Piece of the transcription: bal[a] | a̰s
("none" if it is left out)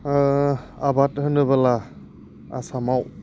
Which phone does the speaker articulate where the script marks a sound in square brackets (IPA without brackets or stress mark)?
a